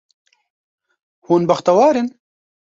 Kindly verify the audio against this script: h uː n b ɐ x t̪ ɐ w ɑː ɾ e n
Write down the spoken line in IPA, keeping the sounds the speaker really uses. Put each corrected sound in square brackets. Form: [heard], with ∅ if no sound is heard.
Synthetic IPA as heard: h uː n b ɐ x t̪ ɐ w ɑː ɾ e n